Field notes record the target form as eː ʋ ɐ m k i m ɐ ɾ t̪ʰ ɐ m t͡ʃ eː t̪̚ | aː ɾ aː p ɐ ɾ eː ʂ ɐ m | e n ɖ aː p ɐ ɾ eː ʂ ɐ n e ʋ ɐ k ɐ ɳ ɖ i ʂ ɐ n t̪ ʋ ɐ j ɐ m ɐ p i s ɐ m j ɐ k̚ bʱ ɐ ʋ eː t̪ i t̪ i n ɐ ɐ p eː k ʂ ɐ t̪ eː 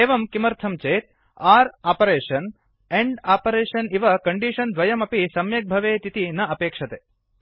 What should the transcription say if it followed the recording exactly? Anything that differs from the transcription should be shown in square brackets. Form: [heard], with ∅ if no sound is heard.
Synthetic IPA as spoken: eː ʋ ɐ m k i m ɐ ɾ t̪ʰ ɐ m t͡ʃ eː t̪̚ | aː ɾ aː p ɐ ɾ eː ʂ ɐ [n] | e [ɳ] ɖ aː p ɐ ɾ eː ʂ ɐ n [i] ʋ ɐ k ɐ ɳ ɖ i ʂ ɐ n [d̪] ʋ ɐ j ɐ m ɐ p i s ɐ m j ɐ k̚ bʱ ɐ ʋ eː t̪ i t̪ i n ɐ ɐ p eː k ʂ ɐ t̪ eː